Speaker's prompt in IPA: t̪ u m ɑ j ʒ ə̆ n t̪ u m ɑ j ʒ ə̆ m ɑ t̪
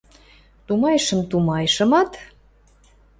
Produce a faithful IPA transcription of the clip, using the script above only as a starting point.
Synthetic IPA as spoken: t̪ u m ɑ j ʃ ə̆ m t̪ u m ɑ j ʃ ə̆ m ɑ t̪